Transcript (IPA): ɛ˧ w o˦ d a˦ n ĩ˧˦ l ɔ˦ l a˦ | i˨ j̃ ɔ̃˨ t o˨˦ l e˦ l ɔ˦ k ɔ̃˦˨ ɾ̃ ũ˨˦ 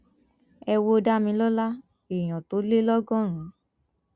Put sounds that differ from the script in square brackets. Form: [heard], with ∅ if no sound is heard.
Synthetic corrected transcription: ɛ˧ w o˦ d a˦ [m] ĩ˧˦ l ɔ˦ l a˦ | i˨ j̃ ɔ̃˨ t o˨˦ l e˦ l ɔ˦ [ɡ] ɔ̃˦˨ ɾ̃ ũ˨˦